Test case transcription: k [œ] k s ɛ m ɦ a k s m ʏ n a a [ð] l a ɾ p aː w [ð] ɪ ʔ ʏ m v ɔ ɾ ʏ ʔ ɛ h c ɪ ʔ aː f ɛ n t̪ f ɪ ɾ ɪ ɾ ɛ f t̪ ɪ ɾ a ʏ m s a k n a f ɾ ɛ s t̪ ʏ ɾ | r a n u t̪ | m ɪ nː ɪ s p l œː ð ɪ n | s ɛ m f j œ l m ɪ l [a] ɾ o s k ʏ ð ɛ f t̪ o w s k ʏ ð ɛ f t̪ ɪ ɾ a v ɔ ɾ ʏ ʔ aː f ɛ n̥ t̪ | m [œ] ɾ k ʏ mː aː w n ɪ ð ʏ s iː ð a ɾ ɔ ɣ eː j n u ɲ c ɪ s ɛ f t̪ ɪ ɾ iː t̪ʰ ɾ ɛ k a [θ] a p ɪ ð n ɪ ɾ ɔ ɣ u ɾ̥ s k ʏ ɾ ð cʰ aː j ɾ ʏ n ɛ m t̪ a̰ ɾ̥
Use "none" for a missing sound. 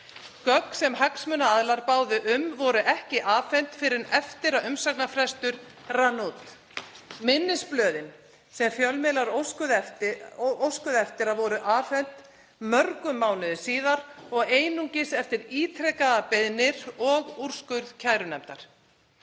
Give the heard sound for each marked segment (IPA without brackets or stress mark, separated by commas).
œ, ð, ð, a, œ, ð